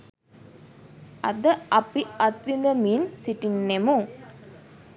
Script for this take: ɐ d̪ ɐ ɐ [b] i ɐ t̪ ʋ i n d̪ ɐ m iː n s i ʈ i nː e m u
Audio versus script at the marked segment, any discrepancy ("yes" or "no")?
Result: yes